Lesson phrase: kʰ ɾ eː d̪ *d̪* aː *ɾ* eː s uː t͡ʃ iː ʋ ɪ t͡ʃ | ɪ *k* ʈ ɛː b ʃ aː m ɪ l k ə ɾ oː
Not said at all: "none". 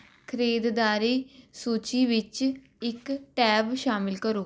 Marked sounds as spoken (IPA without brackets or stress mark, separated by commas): d̪, ɾ, k